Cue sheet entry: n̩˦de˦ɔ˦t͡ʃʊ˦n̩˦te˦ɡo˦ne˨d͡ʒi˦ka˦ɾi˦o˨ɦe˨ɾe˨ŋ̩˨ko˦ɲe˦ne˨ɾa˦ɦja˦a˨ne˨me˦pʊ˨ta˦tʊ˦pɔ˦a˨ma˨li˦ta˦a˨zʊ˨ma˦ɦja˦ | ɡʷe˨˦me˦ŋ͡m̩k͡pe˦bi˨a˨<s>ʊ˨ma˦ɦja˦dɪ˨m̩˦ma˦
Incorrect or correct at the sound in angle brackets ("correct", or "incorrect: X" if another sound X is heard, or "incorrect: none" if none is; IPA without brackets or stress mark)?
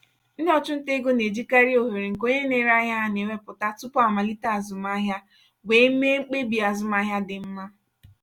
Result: incorrect: z